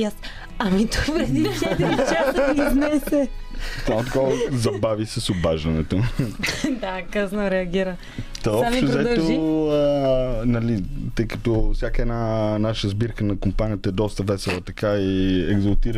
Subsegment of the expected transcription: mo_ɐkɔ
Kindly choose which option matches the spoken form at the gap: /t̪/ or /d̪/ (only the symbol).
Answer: t̪